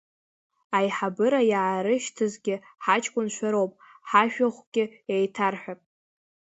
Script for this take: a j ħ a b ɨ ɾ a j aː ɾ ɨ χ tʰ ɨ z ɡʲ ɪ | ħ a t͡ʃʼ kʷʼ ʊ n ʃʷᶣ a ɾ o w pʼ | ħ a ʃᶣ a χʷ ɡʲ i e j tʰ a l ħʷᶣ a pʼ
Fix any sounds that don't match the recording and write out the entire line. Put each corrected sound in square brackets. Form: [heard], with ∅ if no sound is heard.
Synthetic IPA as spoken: a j ħ a b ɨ ɾ a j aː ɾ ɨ [ʃ] tʰ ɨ z ɡʲ ɪ | ħ a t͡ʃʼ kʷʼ ʊ n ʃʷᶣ a ɾ o w pʼ | ħ a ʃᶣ a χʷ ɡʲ [ɪ] e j tʰ a [r] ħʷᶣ a pʼ